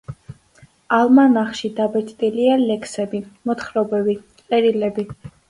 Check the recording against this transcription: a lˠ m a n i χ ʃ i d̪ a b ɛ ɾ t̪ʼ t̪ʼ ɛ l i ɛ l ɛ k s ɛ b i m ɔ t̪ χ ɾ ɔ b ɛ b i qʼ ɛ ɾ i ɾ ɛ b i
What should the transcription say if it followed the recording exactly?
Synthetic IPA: a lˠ m a n a χ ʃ i d̪ a b ɛ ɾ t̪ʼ t̪ʼ i l i a l ɛ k s ɛ b i m ɔ t̪ χ ɾ ɔ b ɛ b i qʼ ɛ ɾ i l ɛ b i